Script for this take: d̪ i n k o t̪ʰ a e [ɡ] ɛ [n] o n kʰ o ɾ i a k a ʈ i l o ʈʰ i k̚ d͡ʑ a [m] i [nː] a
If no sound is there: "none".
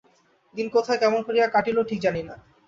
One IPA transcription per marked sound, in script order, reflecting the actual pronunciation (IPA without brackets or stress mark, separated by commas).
k, m, n, n